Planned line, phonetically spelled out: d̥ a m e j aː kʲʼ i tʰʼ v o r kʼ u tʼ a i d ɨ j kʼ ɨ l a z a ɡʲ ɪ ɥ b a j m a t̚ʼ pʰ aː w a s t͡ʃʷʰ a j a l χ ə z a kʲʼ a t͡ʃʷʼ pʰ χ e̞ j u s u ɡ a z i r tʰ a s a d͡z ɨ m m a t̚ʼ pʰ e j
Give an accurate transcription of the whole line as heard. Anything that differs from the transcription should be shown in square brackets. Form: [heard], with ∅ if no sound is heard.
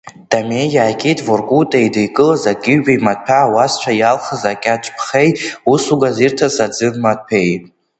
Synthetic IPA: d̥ a m e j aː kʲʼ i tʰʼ v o r kʼ u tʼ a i d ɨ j kʼ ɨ l a z a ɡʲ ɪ ɥ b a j m a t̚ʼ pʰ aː w a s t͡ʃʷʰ a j a l χ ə z a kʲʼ a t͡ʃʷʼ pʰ χ e̞ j u s u ɡ a z i r tʰ a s a d͡z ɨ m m a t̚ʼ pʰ e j